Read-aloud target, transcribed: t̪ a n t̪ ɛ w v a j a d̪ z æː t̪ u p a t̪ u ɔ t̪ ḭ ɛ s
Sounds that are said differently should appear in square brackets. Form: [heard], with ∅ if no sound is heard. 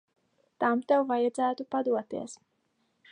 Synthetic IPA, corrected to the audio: t̪ a [m] t̪ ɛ w v a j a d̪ z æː t̪ u p a [d̪] u ɔ t̪ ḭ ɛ s